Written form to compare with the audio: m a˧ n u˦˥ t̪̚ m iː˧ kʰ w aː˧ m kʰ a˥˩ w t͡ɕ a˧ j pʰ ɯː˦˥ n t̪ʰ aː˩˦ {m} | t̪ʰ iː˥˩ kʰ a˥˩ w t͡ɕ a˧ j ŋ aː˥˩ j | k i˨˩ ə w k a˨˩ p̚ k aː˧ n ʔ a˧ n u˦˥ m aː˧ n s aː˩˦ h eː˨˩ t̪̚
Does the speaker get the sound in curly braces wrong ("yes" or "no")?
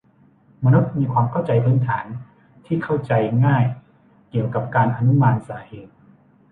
yes